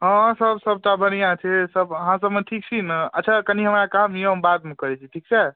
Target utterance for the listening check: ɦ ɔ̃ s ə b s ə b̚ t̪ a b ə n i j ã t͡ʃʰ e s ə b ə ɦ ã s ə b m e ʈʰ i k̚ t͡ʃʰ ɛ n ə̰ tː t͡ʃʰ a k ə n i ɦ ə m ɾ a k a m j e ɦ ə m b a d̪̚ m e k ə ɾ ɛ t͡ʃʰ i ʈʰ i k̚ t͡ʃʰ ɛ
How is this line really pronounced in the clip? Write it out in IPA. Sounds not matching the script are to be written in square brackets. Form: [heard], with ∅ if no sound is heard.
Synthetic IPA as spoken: ɦ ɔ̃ s ə b s ə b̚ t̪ a b ə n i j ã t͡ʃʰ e s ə b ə ɦ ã s ə b m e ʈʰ i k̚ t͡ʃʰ [i] n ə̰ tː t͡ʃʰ a k ə n i ɦ ə m ɾ a k a m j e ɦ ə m b a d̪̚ m e k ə ɾ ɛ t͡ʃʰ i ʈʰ i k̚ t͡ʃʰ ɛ